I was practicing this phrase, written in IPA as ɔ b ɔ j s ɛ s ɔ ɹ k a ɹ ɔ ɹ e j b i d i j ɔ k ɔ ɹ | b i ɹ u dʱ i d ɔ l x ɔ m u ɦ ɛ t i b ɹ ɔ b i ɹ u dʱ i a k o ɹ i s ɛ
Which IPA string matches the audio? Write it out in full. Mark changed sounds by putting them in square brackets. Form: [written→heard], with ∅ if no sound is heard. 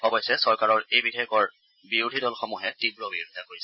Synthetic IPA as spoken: ɔ b ɔ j s ɛ s ɔ ɹ k a ɹ ɔ ɹ e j b i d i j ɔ k ɔ ɹ | b i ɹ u dʱ i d ɔ l x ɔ m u ɦ ɛ t i b ɹ ɔ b i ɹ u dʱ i a k o ɹ i s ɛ